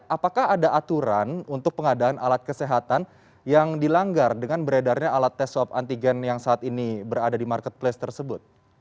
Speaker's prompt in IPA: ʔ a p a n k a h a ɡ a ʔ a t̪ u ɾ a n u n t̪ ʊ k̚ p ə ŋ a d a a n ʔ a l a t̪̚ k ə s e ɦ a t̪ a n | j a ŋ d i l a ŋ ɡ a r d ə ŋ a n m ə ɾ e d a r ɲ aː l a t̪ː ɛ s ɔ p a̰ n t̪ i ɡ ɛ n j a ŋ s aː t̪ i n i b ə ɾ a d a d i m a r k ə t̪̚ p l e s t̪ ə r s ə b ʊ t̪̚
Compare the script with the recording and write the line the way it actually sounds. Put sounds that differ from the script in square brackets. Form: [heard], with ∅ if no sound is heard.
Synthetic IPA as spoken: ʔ a p a [∅] k a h a [d] a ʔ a t̪ u ɾ a n u n t̪ ʊ k̚ p ə ŋ a d a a n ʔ a l a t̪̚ k ə s e ɦ a t̪ a n | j a ŋ d i l a ŋ ɡ a r d ə ŋ a n [b] ə ɾ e d a r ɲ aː l a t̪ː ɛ s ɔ p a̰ n t̪ i ɡ ɛ n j a ŋ s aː t̪ i n i b ə ɾ a d a d i m a r k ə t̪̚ p l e s t̪ ə r s ə b ʊ t̪̚